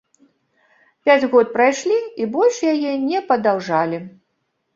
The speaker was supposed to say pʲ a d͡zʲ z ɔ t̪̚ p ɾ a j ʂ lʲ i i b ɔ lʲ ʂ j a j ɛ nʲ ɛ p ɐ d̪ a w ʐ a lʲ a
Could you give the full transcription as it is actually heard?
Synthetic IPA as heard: pʲ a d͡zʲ ɣ ɔ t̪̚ p ɾ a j ʂ lʲ i i b ɔ lʲ ʂ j a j ɛ nʲ ɛ p ɐ d̪ a w ʐ a lʲ i